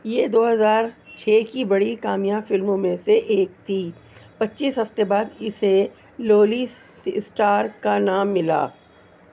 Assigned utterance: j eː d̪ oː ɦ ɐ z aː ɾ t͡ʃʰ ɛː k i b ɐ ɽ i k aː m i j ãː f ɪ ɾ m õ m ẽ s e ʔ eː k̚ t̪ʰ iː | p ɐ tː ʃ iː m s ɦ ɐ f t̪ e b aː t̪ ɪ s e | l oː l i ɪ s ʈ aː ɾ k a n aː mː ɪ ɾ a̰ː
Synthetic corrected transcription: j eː d̪ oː ɦ ɐ z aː ɾ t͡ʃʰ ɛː k i b ɐ ɽ i k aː m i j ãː f ɪ l m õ m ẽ s e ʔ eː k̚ t̪ʰ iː | p ɐ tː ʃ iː s ɦ ɐ f t̪ e b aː d̪ ɪ s e | l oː l i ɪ s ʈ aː ɾ k a n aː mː ɪ l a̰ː